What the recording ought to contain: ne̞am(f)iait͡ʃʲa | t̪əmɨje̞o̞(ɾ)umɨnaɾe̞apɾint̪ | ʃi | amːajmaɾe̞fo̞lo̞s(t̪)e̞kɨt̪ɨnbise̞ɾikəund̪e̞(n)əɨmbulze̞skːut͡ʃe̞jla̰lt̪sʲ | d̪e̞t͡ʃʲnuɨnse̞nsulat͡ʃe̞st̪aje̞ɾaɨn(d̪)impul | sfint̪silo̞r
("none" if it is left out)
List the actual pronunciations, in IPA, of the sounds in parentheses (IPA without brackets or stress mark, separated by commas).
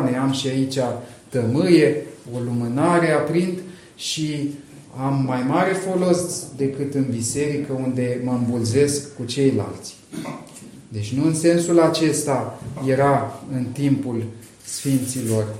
ʃ, l, d̪, m, t̪